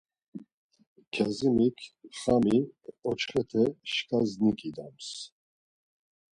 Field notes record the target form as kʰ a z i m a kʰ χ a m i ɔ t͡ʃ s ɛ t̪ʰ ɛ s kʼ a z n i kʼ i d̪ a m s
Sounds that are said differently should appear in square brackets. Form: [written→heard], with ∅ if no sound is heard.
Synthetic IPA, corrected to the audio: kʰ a z i m [a→i] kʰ χ a m i ɔ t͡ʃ [s→χ] ɛ t̪ʰ ɛ [s→ʃ] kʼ a z n i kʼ i d̪ a m s